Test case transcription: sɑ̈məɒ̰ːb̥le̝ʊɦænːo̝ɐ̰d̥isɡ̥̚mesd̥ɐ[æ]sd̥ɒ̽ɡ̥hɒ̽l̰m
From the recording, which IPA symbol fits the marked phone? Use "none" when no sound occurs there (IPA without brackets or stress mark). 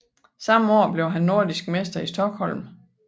i